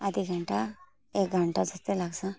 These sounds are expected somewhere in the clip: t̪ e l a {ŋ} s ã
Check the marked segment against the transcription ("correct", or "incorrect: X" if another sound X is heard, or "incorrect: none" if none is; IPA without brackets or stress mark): incorrect: ɡ